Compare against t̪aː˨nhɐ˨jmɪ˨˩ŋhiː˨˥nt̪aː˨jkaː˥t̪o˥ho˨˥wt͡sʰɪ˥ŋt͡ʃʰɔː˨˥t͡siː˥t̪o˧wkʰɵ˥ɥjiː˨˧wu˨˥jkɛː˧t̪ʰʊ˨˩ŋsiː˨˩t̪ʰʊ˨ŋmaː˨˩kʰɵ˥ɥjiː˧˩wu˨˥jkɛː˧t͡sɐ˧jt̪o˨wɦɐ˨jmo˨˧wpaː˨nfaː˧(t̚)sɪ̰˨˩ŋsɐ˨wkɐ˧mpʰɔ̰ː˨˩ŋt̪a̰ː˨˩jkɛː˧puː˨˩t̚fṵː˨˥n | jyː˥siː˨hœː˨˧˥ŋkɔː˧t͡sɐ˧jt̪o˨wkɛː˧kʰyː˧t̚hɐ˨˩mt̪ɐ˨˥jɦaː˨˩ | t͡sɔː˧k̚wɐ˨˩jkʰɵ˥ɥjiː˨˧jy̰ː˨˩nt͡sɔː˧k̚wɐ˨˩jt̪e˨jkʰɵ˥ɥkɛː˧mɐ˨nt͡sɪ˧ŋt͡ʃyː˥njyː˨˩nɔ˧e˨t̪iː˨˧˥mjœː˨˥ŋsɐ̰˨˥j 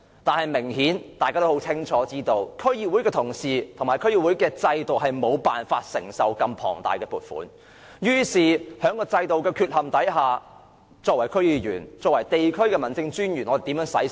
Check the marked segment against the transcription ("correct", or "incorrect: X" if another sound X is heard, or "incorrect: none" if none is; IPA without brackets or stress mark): correct